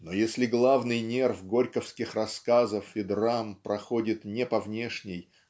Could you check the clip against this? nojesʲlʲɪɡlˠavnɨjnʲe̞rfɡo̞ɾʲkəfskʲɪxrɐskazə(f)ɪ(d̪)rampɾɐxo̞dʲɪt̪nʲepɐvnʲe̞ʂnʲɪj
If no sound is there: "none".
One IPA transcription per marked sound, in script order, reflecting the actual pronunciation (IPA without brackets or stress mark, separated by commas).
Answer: f, d̪